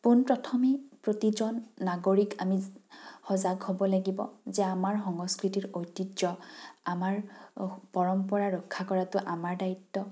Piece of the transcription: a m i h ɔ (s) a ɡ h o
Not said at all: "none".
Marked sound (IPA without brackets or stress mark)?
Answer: z